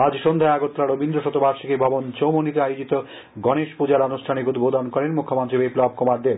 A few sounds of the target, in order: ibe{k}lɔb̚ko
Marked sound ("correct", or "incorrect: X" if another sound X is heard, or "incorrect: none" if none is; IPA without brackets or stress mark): incorrect: p